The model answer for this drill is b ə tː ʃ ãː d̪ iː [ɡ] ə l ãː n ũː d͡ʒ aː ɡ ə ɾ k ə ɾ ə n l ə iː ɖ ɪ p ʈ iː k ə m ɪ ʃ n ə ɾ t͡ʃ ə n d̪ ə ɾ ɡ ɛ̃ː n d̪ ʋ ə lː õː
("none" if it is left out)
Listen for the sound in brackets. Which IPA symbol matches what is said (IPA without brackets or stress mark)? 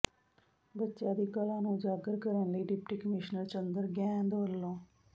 k